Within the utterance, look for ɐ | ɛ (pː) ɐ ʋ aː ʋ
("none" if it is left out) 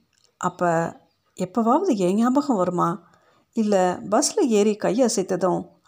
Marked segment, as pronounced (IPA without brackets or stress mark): pː